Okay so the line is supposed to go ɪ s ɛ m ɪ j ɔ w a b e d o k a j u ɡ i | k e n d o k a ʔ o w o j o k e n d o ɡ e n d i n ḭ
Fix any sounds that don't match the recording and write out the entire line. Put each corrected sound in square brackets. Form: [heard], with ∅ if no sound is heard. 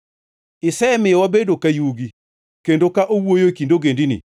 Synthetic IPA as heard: ɪ s ɛ m ɪ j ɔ w a b e d o k a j u ɡ i | k e n d o k a ʔ o w o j o k [i] n d o ɡ e n d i n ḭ